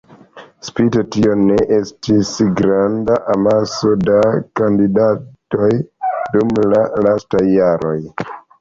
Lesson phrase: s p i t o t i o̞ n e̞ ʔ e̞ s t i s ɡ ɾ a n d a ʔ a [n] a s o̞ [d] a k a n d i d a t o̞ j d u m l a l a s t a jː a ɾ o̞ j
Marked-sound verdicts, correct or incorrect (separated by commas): incorrect, correct